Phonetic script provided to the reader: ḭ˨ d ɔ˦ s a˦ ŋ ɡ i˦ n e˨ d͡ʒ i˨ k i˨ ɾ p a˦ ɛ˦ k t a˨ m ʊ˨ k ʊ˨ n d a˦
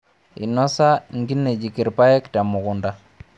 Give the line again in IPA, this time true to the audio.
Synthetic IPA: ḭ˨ n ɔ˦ s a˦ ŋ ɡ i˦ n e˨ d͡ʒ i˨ k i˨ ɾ p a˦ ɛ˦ k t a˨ m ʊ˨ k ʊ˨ n d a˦